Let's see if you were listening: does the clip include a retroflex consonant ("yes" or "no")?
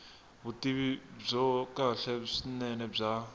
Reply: yes